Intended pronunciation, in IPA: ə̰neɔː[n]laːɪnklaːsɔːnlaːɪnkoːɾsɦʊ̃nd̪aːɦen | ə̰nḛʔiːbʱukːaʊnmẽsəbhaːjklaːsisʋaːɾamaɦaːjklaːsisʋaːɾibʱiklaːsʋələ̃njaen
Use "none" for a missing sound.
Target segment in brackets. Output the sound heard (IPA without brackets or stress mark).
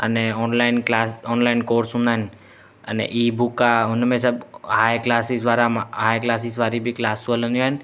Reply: n